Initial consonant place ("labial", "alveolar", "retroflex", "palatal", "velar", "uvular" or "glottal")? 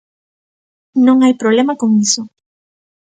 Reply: alveolar